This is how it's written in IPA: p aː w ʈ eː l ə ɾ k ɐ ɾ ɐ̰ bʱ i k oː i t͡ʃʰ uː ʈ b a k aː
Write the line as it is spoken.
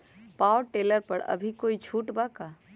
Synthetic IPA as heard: p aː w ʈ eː l ə ɾ p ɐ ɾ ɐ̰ bʱ i k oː i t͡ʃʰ uː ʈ b a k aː